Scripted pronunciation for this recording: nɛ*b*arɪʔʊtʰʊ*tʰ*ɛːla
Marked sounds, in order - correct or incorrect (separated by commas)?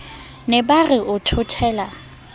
correct, correct